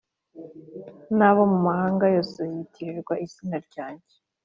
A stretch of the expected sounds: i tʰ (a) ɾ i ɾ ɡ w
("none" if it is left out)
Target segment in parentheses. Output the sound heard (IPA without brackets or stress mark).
i